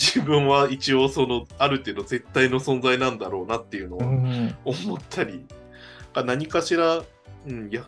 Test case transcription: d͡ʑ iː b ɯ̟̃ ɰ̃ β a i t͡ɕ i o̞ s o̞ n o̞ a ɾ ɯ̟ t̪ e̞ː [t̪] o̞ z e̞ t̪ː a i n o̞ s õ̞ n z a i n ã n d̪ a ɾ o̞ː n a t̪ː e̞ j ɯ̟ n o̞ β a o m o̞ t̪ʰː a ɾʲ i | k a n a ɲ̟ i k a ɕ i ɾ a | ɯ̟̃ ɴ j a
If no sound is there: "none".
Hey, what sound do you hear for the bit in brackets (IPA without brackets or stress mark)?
d̪